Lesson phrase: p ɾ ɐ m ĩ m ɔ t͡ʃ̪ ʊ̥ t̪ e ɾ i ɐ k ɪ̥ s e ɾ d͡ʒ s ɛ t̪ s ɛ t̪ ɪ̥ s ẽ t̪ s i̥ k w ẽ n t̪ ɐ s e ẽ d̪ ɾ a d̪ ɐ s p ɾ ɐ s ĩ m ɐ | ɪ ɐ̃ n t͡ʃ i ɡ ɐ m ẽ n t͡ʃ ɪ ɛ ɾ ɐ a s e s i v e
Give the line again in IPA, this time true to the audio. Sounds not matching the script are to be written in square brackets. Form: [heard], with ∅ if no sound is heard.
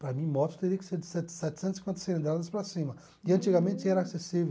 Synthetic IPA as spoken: p ɾ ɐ m ĩ m ɔ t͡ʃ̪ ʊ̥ t̪ e ɾ i ɐ k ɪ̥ s e ɾ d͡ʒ s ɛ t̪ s ɛ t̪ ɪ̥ s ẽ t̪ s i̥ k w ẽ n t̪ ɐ s e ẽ d̪ ɾ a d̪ ɐ s p ɾ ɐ s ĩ m ɐ | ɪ ɐ̃ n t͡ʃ i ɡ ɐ m ẽ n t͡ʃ ɪ ɛ ɾ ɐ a s e s i v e